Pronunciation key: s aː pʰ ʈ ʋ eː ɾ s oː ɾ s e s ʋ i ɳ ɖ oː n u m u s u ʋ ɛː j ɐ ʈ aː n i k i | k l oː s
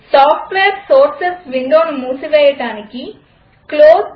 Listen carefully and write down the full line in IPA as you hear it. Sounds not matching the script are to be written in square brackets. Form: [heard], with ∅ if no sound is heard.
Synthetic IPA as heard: s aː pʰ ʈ ʋ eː ɾ s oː ɾ s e s ʋ i ɳ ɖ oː n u m [uː] s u ʋ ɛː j ɐ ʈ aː n i k i | k l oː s